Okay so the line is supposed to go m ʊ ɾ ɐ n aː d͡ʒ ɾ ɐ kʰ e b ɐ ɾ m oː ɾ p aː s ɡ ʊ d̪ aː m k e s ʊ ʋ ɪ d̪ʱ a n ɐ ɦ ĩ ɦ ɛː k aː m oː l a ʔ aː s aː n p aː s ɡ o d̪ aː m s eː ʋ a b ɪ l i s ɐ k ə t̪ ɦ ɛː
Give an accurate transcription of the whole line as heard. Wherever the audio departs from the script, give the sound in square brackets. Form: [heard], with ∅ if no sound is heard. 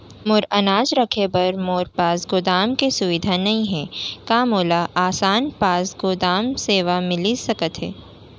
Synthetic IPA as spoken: m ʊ ɾ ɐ n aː d͡ʒ ɾ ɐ kʰ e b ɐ ɾ m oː ɾ p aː s ɡ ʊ d̪ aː m k e s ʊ ʋ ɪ d̪ʱ a n ɐ ɦ ĩ ɦ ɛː k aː m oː l a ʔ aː s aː n p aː s ɡ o d̪ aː m s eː ʋ a [m] ɪ l i s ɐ k ə t̪ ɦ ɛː

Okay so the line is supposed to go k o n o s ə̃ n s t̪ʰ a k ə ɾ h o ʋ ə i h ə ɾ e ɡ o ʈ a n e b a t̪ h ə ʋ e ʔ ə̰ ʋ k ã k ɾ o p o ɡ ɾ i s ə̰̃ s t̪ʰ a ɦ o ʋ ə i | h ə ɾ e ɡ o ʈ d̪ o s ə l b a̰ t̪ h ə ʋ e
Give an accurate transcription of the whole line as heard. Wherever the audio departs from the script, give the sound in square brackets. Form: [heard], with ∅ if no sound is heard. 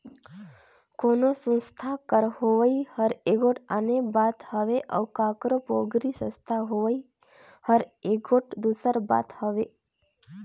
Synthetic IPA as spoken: k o n o s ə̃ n s t̪ʰ a k ə ɾ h o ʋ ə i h ə ɾ e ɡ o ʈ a n e b a t̪ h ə ʋ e ʔ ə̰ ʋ k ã k ɾ o p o ɡ ɾ i s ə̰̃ s t̪ʰ a ɦ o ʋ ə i | h ə ɾ e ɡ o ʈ d̪ [u] s ə [ɾ] b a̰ t̪ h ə ʋ e

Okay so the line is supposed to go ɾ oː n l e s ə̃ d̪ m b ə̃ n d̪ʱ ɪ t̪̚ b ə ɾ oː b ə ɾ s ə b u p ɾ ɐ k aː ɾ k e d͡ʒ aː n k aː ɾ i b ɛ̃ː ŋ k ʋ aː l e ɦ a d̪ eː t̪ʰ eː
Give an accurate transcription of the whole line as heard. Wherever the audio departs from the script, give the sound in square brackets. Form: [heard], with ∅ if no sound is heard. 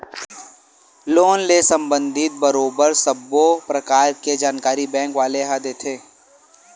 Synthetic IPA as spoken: [l] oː n l e s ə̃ [∅] m b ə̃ n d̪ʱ ɪ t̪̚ b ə ɾ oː b ə ɾ s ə b [o] p ɾ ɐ k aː ɾ k e d͡ʒ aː n k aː ɾ i b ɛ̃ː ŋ k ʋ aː l e ɦ a d̪ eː t̪ʰ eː

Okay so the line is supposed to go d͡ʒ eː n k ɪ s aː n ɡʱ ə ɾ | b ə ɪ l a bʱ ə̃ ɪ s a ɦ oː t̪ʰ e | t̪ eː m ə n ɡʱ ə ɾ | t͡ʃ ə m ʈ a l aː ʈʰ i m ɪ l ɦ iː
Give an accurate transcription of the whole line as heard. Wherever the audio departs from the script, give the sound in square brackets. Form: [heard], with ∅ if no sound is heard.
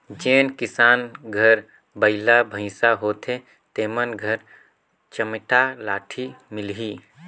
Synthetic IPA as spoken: d͡ʒ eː n k ɪ s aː n ɡʱ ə ɾ | b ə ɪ l a bʱ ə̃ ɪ s a ɦ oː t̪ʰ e | t̪ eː m ə n ɡʱ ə ɾ | t͡ʃ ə m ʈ a l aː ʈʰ i m ɪ l ɦ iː

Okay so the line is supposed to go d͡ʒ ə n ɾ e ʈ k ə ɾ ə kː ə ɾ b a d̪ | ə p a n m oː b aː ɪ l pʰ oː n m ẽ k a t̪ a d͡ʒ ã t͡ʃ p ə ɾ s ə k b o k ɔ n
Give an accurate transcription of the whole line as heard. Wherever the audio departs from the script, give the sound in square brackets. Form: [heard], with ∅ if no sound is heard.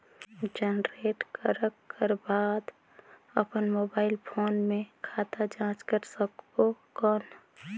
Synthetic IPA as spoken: d͡ʒ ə n ɾ e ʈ k ə ɾ ə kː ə ɾ b a d̪ | ə p [ə] n m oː b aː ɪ l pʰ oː n m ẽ [kʰ] a t̪ a d͡ʒ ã t͡ʃ [k] ə ɾ s ə k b o k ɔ n

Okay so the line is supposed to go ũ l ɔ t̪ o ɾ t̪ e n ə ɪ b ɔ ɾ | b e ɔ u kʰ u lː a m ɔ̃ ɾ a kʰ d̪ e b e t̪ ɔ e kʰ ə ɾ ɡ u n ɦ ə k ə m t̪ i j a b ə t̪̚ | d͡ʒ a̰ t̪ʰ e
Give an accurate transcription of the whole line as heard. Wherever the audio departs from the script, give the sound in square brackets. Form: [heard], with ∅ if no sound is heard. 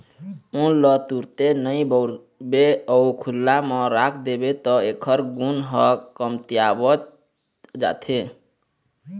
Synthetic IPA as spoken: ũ l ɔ t̪ [u] ɾ t̪ e n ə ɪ b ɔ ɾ | b e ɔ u kʰ u lː a m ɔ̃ ɾ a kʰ d̪ e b e t̪ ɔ e kʰ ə ɾ ɡ u n ɦ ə k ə m t̪ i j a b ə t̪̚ | d͡ʒ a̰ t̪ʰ e

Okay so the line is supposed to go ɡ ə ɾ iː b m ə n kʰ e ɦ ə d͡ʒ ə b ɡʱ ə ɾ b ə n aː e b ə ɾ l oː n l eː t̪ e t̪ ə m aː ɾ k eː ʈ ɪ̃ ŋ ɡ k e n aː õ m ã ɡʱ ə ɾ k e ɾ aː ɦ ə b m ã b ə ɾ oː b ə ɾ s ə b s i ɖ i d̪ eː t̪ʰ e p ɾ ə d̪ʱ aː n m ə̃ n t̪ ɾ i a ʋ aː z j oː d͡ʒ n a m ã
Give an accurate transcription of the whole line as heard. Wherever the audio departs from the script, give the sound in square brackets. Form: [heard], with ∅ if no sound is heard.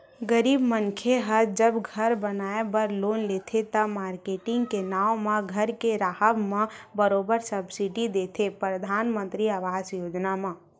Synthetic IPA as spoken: ɡ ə ɾ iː b m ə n kʰ e ɦ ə d͡ʒ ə b ɡʱ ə ɾ b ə n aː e b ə ɾ l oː n l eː [t̪ʰ] e t̪ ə m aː ɾ k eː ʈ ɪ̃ ŋ ɡ k e n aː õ m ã ɡʱ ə ɾ k e ɾ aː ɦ ə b m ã b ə ɾ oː b ə ɾ s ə b s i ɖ i d̪ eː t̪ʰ e p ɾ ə d̪ʱ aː n m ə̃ n t̪ ɾ i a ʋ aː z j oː d͡ʒ n a m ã

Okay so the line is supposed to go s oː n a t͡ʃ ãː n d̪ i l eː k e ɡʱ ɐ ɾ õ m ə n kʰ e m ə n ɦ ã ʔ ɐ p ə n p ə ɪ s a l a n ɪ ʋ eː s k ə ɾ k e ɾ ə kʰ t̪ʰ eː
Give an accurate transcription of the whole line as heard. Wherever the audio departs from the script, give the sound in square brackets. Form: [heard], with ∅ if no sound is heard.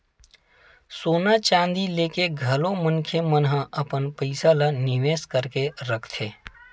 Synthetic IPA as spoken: s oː n a t͡ʃ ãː n d̪ i l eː k e ɡʱ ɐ [l] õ m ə n kʰ e m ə n ɦ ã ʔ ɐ p ə n p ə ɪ s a l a n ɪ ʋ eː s k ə ɾ k e ɾ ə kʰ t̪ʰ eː

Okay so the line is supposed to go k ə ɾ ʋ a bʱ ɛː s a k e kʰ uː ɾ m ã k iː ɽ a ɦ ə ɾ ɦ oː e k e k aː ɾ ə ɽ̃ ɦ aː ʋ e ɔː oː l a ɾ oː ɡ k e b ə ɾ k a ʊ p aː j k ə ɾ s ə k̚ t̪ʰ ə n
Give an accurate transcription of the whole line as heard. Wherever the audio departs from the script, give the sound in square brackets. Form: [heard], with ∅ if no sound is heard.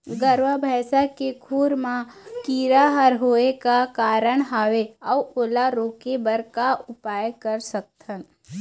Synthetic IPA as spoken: [ɡ] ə ɾ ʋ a bʱ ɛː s a k e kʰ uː ɾ m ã k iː [ɾ] a ɦ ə ɾ ɦ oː e k [a] k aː ɾ ə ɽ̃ ɦ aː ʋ e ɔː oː l a ɾ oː [∅] k e b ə ɾ k a ʊ p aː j k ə ɾ s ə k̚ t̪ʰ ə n

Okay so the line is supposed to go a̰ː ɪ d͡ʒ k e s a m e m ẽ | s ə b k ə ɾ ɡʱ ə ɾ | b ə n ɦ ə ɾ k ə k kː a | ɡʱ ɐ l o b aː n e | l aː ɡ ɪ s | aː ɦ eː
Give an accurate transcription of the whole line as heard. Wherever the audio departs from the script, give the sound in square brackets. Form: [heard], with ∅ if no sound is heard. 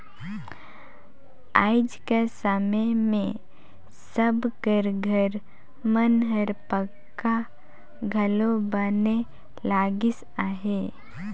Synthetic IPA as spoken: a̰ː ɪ d͡ʒ k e s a m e m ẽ | s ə b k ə ɾ ɡʱ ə ɾ | [m] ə n ɦ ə ɾ [p] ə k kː a | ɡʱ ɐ l o b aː n e | l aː ɡ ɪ s | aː ɦ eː

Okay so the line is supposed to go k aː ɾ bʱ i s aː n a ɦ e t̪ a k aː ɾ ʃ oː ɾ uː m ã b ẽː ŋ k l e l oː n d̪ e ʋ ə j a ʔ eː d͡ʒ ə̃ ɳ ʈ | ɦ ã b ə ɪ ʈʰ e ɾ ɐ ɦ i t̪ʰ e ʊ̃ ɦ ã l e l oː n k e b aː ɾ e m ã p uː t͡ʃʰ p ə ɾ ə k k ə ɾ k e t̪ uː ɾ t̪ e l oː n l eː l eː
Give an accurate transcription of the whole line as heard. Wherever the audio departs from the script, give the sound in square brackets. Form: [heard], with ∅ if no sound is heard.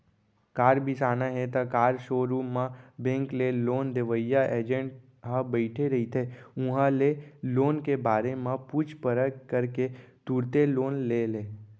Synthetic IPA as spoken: k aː ɾ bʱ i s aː n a ɦ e t̪ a k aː ɾ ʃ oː ɾ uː m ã b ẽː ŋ k l e l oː n d̪ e ʋ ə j a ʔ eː d͡ʒ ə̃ ɳ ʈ | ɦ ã b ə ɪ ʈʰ e ɾ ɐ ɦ i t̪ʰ e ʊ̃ ɦ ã l e l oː n k e b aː ɾ e m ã p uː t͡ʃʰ p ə ɾ ə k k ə ɾ k e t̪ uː ɾ t̪ e l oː n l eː l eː

